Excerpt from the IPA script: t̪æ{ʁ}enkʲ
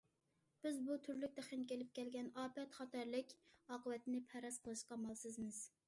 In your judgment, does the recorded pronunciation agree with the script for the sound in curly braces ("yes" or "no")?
no